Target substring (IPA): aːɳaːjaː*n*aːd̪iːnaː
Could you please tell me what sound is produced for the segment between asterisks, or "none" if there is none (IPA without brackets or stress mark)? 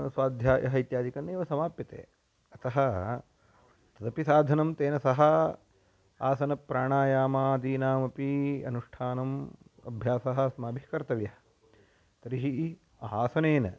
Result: m